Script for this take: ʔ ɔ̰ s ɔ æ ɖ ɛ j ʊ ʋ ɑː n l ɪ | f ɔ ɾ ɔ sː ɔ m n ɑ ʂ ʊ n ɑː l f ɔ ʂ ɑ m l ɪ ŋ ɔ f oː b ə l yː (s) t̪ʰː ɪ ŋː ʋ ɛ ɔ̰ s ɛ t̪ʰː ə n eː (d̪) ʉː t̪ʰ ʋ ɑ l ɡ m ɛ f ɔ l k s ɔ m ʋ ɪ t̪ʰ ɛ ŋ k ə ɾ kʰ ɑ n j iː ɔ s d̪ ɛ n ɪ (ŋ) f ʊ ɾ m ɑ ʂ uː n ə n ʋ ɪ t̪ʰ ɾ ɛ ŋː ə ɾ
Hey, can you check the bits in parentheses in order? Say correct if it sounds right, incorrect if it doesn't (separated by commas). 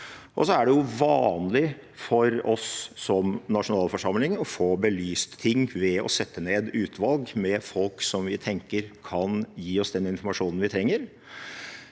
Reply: correct, correct, incorrect